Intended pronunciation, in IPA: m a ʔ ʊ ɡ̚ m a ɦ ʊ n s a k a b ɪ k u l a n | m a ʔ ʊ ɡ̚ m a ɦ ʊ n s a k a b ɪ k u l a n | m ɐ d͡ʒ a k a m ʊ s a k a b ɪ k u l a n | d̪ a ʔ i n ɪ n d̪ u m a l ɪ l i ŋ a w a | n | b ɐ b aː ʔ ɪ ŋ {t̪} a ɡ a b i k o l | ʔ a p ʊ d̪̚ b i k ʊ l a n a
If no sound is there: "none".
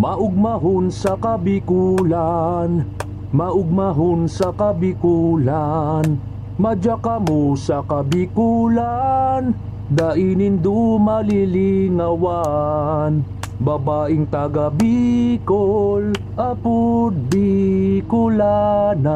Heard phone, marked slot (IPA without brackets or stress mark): t̪